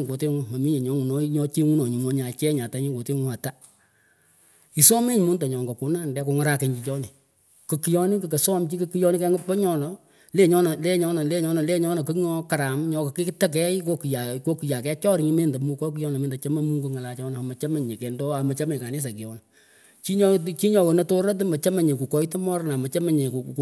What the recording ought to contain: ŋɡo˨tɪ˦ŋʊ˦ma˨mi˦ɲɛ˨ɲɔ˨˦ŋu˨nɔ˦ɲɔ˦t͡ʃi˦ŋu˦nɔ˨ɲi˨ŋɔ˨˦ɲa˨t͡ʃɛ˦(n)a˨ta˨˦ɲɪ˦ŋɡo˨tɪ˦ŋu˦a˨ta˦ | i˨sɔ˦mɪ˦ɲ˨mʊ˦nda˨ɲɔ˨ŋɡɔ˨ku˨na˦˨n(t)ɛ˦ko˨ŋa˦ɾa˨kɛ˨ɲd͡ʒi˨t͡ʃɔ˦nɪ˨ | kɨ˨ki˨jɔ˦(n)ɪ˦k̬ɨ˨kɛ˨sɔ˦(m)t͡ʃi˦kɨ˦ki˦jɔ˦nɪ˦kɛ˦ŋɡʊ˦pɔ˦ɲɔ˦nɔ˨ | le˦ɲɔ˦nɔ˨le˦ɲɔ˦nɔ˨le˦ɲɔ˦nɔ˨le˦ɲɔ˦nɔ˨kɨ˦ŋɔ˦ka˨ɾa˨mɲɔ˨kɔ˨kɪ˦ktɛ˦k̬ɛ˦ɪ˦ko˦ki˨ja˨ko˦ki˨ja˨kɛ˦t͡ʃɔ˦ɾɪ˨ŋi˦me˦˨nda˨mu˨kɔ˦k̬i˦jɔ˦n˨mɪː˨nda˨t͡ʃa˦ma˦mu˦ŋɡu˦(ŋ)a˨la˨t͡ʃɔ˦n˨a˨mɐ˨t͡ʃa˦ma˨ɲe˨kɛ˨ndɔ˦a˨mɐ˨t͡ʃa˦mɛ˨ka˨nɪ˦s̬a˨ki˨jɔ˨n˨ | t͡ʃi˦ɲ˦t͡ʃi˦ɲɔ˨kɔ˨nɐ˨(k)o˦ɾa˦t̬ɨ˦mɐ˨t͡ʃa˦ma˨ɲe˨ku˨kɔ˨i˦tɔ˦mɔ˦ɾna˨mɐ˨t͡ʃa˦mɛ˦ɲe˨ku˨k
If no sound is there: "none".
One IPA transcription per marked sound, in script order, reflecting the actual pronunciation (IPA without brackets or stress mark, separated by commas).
ɲ, d, n, m, ŋ, t